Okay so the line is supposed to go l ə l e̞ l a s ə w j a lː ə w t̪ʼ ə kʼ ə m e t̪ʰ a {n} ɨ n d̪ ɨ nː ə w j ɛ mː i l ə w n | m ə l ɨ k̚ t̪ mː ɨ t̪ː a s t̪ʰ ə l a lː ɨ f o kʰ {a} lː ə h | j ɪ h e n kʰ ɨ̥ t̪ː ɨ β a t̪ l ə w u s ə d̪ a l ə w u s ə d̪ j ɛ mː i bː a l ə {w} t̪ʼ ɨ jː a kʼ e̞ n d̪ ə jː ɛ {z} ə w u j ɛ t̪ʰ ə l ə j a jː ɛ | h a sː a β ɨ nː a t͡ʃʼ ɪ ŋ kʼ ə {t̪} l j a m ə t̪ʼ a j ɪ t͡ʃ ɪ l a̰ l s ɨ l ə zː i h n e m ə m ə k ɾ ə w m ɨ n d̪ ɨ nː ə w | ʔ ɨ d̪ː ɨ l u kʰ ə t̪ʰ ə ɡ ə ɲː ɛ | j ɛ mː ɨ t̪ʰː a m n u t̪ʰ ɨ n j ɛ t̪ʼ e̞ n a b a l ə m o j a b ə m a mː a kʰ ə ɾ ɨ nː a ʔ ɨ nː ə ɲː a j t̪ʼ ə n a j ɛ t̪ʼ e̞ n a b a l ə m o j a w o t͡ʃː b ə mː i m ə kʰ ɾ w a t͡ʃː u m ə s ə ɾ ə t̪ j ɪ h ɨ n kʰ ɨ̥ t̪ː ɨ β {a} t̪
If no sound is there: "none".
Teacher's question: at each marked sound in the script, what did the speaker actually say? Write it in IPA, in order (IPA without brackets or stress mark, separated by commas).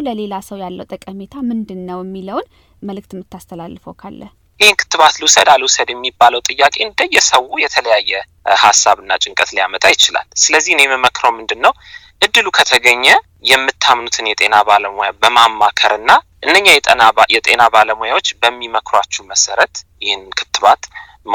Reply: m, a, w, s, t̪, a